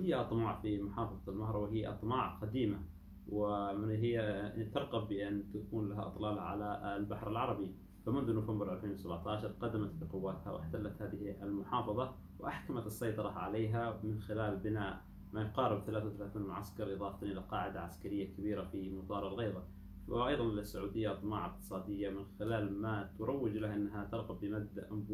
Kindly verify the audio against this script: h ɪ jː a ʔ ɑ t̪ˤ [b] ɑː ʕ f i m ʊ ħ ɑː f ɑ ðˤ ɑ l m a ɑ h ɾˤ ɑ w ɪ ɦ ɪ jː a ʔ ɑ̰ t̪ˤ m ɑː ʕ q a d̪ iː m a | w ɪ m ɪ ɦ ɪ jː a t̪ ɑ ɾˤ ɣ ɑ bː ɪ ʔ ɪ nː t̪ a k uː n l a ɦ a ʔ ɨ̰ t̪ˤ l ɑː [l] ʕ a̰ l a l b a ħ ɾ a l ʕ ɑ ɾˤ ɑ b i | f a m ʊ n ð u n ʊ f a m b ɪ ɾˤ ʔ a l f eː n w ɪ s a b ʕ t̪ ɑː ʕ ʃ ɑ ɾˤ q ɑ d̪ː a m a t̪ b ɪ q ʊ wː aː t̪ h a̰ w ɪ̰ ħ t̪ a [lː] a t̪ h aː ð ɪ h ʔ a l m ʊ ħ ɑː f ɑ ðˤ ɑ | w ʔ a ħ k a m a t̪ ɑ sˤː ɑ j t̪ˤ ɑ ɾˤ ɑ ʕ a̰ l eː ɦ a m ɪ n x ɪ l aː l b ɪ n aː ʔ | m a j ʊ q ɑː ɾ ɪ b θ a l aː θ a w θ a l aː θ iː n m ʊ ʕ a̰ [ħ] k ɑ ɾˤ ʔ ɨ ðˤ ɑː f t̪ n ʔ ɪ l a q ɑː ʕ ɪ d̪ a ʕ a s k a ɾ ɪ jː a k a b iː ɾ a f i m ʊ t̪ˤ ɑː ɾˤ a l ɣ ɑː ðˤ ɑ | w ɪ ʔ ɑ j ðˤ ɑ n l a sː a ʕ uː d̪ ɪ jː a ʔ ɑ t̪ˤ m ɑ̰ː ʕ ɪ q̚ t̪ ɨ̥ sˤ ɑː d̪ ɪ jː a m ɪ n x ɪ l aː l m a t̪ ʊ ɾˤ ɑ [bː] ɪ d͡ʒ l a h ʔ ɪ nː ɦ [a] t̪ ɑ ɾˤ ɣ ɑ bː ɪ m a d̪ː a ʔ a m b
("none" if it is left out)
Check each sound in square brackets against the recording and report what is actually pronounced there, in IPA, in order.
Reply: m, l, lː, s, wː, a

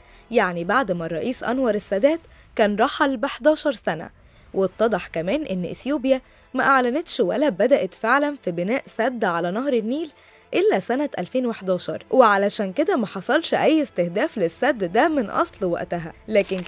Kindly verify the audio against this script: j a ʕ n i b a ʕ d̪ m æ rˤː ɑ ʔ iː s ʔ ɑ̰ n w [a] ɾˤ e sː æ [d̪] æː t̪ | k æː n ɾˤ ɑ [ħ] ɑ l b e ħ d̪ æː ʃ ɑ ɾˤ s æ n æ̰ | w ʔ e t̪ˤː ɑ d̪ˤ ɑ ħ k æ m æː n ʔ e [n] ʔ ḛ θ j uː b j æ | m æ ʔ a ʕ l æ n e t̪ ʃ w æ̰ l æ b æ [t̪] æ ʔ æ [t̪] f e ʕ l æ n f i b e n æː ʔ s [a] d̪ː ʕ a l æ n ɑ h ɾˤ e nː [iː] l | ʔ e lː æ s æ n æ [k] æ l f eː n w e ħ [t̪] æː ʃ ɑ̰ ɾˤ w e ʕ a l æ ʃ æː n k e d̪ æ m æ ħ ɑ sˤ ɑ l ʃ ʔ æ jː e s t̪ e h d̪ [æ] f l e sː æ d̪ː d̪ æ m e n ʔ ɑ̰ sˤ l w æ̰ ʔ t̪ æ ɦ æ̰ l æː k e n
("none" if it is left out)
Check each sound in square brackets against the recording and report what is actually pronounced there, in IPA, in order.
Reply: ɑ, d̪, ħ, nː, d̪, t̪, æ, iː, ʔ, d̪, æː

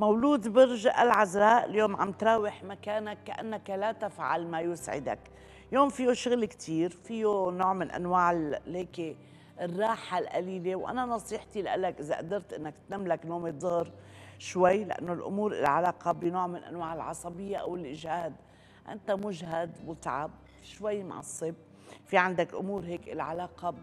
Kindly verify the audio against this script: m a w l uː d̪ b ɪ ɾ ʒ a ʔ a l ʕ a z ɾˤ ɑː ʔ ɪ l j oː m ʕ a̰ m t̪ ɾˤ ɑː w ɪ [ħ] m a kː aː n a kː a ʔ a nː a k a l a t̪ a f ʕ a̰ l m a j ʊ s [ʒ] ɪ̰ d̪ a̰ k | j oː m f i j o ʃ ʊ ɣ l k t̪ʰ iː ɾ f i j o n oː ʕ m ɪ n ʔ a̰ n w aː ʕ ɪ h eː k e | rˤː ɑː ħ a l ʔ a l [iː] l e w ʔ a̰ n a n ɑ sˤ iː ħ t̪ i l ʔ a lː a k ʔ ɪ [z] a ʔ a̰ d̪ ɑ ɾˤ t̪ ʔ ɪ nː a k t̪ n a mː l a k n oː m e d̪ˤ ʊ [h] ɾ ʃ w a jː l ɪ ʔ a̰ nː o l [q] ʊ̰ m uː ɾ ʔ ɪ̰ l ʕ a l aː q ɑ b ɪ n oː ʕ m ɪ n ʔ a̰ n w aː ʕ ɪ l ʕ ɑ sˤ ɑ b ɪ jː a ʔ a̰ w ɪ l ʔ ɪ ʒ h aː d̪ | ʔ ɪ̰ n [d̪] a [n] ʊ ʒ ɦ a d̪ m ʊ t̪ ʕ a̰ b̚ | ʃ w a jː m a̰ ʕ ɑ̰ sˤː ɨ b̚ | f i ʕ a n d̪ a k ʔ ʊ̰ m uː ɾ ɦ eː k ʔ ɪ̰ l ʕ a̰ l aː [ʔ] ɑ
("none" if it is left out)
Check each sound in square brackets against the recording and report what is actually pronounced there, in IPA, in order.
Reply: ħ, ʕ, iː, z, h, ʔ, t̪, m, q

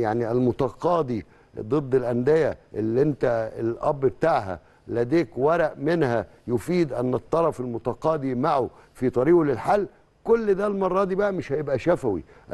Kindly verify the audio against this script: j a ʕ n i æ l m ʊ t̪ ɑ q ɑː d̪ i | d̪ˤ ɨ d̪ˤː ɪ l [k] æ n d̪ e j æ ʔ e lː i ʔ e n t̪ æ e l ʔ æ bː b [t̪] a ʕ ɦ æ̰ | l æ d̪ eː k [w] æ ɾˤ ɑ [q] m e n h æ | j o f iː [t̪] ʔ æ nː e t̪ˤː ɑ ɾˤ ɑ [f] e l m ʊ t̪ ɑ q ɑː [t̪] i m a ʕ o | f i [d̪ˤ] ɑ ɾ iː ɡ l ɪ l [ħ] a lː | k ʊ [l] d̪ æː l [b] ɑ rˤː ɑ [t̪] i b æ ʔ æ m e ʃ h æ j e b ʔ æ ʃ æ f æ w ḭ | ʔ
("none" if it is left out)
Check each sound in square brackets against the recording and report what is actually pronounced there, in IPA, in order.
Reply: ʔ, t̪, w, ʔ, d̪, f, d̪, t̪ˤ, ħ, lː, m, d̪

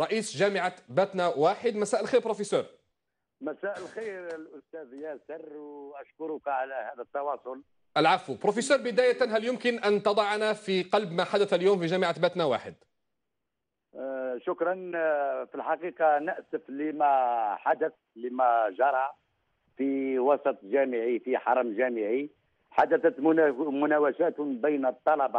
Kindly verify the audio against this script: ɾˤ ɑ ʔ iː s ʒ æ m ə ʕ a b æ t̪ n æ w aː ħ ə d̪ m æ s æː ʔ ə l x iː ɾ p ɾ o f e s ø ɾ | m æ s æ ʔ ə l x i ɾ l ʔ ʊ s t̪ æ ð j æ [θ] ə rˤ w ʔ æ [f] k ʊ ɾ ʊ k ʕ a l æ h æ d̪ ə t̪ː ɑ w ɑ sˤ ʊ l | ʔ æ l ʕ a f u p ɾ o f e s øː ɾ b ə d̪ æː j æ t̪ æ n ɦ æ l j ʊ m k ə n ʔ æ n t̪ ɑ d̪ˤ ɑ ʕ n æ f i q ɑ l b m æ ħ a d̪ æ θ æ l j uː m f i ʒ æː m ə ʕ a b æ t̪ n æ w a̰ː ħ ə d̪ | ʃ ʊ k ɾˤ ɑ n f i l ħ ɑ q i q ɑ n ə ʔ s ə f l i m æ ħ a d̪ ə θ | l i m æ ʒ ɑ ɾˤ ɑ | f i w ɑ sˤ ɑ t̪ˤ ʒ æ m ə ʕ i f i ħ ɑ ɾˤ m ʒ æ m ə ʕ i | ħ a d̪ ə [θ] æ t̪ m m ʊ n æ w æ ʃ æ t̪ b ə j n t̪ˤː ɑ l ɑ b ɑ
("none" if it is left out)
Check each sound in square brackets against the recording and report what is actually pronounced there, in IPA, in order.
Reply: s, ʃ, θ

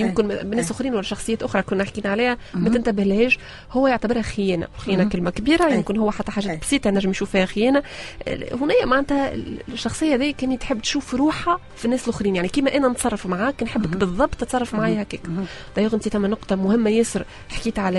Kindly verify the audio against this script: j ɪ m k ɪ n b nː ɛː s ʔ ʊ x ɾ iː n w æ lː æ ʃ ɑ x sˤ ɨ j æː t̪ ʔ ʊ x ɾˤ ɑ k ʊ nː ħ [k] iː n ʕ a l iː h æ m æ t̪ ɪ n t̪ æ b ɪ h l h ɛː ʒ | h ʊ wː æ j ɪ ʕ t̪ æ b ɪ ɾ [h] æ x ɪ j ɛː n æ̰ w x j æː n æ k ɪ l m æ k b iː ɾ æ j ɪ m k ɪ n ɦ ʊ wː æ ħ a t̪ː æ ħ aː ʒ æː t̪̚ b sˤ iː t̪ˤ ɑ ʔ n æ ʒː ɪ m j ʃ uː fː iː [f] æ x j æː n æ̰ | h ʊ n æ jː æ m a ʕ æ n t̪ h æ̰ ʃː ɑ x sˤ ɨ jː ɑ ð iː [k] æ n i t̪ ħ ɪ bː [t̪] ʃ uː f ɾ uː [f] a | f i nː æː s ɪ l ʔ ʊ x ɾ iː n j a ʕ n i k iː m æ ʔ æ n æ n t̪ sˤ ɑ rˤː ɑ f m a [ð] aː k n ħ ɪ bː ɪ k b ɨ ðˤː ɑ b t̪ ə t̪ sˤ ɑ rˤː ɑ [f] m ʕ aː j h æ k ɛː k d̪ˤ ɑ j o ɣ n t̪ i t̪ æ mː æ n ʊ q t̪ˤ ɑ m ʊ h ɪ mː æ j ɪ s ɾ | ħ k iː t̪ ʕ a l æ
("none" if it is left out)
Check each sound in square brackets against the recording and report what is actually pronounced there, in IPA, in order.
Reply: k, h, h, k, t̪, ħ, ʕ, f

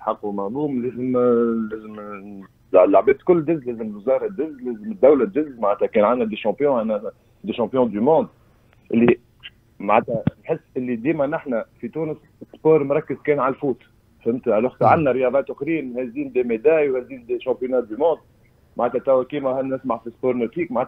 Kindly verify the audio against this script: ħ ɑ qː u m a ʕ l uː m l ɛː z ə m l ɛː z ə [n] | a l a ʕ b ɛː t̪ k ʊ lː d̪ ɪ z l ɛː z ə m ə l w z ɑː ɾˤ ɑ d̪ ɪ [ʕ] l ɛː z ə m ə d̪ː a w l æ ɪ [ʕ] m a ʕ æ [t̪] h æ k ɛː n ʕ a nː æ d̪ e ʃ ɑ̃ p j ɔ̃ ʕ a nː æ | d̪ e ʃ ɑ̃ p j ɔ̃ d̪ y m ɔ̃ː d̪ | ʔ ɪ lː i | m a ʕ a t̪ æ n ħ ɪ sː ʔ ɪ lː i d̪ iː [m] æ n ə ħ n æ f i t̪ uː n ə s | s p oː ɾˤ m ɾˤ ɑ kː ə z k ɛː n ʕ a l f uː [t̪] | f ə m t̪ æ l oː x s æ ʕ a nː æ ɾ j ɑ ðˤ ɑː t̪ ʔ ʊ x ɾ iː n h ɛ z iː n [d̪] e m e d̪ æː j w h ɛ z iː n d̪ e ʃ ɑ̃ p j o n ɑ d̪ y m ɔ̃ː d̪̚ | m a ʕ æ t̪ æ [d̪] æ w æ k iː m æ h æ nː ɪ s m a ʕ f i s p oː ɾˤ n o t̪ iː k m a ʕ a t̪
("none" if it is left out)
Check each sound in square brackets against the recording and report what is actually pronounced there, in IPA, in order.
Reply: m, z, z, t̪, m, t̪, d̪, t̪

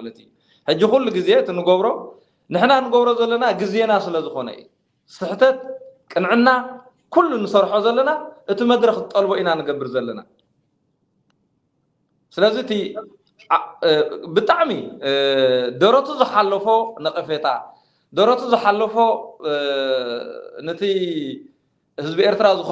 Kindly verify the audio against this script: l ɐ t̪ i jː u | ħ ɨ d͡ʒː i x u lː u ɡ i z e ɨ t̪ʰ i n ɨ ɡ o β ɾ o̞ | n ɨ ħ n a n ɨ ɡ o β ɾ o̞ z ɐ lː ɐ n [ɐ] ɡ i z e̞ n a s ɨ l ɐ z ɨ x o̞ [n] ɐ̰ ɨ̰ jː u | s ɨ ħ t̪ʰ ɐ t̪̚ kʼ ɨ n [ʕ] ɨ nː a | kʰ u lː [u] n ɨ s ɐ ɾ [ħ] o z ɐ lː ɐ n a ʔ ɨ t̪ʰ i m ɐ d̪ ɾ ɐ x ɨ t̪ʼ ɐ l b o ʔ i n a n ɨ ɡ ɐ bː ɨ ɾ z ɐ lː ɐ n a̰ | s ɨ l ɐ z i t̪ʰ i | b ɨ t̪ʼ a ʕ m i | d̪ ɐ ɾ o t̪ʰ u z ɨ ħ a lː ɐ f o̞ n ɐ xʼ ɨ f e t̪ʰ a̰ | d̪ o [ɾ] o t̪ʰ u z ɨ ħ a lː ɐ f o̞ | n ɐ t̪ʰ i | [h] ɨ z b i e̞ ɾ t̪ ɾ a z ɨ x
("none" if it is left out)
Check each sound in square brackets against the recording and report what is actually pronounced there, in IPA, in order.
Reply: a, n, ʕ, u, ħ, ɾ, h

